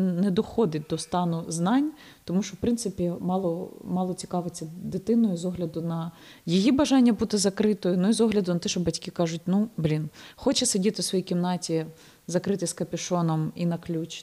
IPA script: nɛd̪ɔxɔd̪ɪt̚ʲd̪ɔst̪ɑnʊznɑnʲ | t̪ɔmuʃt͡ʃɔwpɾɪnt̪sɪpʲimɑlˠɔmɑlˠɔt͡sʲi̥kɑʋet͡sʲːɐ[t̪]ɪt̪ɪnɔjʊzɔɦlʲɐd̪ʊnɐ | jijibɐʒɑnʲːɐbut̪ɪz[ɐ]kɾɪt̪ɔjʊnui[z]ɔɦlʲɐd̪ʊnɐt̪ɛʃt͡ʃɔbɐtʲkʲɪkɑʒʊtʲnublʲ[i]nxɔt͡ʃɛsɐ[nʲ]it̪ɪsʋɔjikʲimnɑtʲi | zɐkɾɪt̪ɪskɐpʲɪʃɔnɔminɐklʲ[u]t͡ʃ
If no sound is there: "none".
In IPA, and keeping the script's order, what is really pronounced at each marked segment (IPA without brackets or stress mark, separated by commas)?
d̪, ɐ, z, i, dʲ, u